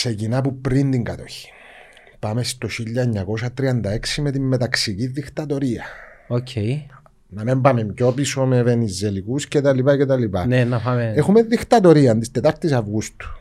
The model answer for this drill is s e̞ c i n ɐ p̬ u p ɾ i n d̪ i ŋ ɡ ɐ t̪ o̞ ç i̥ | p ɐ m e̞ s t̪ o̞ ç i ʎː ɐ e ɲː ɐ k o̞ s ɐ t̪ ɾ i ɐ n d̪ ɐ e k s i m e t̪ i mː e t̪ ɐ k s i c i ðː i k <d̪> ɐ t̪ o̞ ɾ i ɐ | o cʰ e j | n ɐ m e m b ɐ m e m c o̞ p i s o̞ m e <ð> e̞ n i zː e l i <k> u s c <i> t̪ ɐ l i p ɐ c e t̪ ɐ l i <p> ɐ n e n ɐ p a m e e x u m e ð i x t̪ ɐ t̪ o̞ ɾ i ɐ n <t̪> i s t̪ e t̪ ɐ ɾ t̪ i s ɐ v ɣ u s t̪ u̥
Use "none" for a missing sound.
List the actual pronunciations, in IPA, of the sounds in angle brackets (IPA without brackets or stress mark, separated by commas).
t̪, v, k, e, p, d̪